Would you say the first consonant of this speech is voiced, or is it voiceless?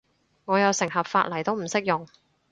voiced